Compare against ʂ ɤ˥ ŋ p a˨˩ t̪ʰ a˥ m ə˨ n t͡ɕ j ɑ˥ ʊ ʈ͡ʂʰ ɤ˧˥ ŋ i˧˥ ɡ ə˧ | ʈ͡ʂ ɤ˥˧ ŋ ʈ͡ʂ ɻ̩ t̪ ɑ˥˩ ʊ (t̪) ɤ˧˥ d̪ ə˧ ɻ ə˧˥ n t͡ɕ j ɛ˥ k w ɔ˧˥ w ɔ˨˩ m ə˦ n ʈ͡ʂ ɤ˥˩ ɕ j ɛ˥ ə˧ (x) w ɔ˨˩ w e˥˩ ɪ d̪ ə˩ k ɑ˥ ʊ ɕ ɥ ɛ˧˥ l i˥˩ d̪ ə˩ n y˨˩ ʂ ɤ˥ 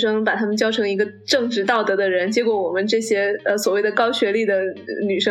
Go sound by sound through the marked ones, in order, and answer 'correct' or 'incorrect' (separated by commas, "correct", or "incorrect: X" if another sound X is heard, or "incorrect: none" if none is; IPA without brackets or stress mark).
correct, incorrect: s